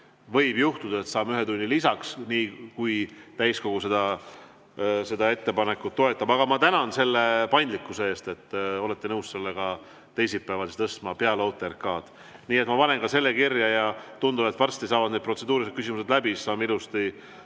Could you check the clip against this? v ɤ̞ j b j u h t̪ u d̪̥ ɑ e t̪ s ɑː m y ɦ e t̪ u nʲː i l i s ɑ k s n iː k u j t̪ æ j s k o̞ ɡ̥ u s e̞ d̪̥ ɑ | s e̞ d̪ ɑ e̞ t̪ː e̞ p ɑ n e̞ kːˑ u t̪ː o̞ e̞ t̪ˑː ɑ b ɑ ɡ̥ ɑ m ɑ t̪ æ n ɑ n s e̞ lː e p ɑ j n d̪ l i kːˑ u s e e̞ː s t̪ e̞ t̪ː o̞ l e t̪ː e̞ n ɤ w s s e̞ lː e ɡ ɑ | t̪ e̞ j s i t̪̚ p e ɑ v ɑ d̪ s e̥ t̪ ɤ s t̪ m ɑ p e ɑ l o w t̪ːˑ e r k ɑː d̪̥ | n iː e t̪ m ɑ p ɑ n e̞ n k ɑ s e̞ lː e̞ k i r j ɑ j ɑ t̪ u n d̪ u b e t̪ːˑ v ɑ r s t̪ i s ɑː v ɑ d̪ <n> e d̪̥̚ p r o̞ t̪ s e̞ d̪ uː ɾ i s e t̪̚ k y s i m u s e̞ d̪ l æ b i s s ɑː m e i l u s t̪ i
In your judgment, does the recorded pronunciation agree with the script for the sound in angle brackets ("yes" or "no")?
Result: yes